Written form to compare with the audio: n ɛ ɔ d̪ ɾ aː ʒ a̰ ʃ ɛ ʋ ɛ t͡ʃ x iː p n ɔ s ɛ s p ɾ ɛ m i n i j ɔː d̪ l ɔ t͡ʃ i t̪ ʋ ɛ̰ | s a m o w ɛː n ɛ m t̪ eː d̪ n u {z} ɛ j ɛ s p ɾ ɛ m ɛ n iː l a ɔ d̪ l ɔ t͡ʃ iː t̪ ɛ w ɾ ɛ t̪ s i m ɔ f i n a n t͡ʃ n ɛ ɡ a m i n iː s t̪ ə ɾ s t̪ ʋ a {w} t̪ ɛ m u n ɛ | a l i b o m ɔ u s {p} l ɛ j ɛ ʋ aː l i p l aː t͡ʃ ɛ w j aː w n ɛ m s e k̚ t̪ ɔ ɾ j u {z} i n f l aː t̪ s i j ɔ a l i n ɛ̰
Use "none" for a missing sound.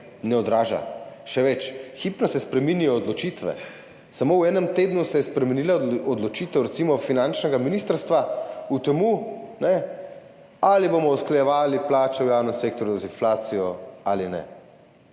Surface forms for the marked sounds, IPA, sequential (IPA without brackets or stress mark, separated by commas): s, u, k, z